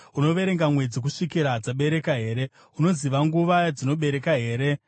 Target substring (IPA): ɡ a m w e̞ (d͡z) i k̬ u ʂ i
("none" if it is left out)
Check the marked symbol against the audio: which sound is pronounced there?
d͡z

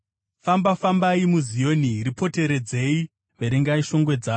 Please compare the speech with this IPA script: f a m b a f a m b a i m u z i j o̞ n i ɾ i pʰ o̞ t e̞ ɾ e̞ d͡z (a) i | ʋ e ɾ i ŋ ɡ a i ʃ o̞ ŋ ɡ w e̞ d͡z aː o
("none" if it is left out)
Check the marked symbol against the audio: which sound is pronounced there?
e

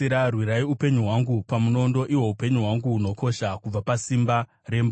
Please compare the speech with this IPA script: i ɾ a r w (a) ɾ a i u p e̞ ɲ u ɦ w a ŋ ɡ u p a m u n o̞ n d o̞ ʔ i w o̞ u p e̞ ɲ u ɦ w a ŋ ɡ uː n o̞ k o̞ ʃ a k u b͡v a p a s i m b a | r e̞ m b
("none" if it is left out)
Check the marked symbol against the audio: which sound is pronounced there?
i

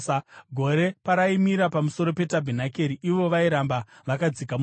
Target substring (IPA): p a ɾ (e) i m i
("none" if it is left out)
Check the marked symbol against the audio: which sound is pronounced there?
a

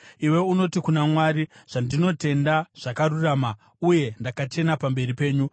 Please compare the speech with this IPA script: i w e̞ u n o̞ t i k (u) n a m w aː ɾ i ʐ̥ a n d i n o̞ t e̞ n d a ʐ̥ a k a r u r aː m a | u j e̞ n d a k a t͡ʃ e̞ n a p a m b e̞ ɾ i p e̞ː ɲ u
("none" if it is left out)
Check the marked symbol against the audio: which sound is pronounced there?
u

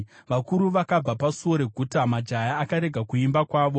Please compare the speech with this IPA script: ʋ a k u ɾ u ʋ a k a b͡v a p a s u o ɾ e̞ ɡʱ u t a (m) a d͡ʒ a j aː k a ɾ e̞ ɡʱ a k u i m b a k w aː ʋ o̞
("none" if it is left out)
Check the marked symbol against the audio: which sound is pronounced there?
m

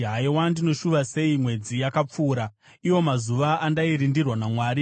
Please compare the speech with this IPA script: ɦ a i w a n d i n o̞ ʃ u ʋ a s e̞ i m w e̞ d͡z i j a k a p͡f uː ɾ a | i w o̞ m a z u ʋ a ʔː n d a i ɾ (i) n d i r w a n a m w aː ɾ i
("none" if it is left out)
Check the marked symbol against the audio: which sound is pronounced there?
i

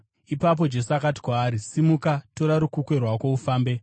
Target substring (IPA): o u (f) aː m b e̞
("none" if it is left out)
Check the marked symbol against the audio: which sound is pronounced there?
f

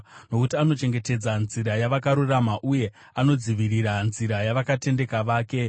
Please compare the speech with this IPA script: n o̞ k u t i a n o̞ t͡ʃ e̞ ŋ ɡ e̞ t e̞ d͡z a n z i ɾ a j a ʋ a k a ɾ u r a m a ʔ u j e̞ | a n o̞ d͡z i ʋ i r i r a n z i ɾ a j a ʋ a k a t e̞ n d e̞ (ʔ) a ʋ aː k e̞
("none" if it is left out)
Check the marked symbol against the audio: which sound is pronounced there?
k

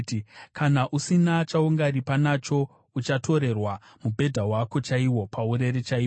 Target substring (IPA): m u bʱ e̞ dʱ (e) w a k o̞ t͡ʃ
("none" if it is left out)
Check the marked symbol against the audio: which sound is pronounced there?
a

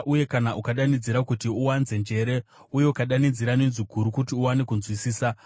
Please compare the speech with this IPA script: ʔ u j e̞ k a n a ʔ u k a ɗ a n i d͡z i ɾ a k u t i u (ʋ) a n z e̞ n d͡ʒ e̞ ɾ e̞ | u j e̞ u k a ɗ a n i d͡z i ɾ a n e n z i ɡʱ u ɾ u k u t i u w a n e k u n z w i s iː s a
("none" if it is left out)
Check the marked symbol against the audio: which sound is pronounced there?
w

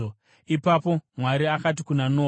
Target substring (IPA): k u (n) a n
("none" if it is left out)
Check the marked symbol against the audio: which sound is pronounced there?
n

